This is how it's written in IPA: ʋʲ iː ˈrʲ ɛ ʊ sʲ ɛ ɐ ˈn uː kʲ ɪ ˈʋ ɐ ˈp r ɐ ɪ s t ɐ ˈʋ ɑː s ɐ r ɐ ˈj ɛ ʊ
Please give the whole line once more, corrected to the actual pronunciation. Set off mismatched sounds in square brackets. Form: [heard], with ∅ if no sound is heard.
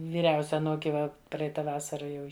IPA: ʋʲ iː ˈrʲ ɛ ʊ sʲ ɛ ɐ ˈn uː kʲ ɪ ˈʋ ɐ ˈp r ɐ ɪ [∅] t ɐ ˈʋ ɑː s ɐ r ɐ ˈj ɛ ʊ